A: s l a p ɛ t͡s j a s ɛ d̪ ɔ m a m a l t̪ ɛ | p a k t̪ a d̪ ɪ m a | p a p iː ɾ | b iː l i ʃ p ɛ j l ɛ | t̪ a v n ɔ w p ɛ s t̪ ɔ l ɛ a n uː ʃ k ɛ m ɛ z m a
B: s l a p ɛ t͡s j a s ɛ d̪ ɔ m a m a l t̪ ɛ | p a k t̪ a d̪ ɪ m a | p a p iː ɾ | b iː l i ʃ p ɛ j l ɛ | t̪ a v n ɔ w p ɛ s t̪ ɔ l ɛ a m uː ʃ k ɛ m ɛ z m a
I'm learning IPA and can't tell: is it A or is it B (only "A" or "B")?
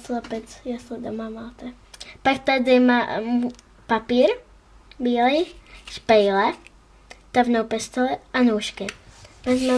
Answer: A